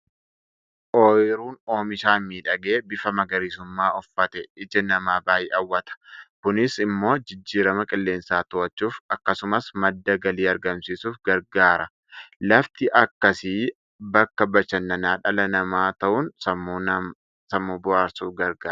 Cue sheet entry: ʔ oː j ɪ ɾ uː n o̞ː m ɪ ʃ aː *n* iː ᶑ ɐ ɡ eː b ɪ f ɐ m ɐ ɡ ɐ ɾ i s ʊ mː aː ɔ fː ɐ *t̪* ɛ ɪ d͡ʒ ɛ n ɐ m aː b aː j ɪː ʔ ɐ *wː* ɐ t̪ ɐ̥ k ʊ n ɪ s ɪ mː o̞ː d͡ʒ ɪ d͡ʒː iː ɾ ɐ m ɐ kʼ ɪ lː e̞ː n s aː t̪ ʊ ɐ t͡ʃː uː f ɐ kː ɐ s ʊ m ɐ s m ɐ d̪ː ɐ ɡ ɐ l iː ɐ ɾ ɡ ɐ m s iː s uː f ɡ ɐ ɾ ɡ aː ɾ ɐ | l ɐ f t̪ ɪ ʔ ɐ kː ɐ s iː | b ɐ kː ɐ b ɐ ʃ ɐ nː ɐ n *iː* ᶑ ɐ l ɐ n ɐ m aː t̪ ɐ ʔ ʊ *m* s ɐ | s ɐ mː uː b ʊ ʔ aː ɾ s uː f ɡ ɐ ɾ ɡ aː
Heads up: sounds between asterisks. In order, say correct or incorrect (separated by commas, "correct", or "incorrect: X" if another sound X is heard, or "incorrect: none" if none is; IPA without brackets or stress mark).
incorrect: m, correct, correct, incorrect: aː, incorrect: n